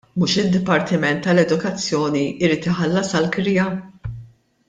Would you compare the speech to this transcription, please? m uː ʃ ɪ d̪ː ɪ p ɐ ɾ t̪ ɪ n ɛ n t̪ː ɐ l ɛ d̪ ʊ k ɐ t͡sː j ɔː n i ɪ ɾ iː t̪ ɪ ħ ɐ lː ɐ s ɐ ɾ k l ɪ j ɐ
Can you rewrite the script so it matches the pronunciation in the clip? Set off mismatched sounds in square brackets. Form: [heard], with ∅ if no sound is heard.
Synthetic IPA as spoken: m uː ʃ ɪ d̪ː ɪ p ɐ ɾ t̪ ɪ [m] ɛ n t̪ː ɐ l ɛ d̪ ʊ k ɐ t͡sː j ɔː n i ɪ ɾ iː t̪ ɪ ħ ɐ lː ɐ s ɐ [l] k [ɾ] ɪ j ɐ